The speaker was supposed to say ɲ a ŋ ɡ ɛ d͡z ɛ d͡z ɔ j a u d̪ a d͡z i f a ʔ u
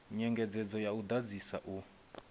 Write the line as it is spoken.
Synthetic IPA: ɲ ɛ ŋ ɡ ɛ d͡z ɛ d͡z ɔ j a u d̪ a d͡z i s a ʔ u